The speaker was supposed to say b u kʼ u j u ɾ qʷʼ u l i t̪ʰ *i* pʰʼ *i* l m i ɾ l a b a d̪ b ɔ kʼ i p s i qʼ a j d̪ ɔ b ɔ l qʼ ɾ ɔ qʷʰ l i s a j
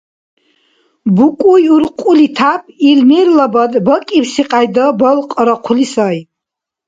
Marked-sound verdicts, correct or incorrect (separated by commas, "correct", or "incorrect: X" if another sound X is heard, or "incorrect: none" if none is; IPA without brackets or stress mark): incorrect: a, correct